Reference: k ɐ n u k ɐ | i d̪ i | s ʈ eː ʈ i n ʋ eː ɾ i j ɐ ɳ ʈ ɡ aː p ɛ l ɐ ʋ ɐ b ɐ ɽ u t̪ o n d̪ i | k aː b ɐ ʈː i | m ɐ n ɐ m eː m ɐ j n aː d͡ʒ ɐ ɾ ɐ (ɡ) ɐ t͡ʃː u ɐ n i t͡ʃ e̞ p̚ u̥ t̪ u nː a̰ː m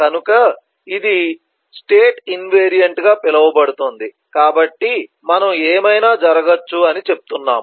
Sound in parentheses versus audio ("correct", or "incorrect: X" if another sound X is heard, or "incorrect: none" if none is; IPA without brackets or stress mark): correct